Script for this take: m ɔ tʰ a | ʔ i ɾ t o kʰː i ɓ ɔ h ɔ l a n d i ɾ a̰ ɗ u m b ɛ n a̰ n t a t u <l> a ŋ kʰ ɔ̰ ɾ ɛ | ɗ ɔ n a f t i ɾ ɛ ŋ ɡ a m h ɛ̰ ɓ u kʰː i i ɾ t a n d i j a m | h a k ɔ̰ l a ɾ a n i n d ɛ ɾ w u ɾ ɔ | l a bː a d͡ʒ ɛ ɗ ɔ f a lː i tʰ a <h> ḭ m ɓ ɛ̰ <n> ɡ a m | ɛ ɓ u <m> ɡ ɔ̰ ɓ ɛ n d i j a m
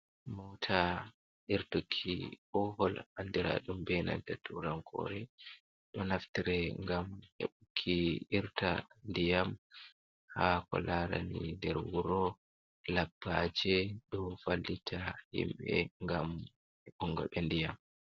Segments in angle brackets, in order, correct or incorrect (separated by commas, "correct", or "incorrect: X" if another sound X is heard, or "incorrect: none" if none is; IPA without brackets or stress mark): incorrect: ɾ, correct, incorrect: ŋ, incorrect: ŋ